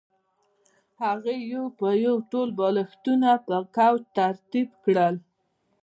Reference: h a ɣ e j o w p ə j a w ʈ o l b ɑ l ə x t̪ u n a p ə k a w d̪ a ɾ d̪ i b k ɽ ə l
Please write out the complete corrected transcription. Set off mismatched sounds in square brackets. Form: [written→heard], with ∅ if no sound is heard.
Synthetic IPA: h a ɣ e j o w p ə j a w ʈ o l b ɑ l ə x t̪ u n a p ə k a w [d̪→t̪] a ɾ [d̪→t̪] i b k ɽ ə l